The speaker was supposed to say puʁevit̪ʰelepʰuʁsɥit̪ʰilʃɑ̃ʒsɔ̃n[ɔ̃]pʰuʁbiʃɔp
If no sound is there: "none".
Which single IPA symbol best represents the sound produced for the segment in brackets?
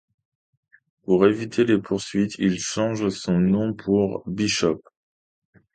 ɔ̃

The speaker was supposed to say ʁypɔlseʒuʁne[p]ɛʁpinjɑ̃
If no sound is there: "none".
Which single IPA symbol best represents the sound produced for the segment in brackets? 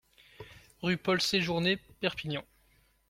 p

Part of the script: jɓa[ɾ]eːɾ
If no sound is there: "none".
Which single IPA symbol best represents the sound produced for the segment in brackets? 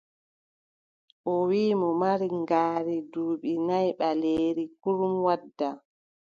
l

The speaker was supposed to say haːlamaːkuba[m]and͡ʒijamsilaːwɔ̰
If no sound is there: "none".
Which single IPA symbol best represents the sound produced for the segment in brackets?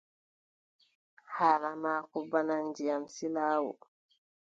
n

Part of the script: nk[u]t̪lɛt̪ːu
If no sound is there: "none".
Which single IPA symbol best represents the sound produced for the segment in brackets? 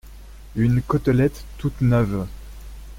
ɔ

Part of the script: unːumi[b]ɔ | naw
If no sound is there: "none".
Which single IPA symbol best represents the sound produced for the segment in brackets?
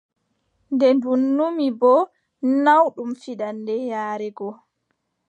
b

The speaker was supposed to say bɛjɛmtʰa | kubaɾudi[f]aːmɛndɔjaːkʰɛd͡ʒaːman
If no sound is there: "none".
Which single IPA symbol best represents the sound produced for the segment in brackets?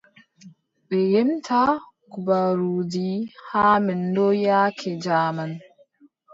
h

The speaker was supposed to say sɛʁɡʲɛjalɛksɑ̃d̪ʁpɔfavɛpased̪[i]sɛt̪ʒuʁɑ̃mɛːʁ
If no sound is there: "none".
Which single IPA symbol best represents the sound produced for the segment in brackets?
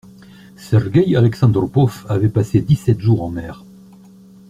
i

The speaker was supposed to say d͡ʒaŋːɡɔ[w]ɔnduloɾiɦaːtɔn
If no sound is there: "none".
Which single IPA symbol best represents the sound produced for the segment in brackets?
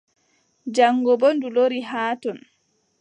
b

